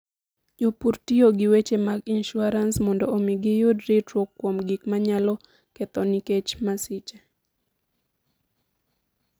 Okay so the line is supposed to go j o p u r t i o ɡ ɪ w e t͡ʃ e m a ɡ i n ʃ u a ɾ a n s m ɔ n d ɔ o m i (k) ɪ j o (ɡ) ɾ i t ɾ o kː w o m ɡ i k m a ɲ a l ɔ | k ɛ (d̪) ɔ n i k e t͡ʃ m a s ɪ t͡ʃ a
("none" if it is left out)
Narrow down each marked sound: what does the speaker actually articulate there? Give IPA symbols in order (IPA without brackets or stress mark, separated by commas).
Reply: ɡ, d, t̪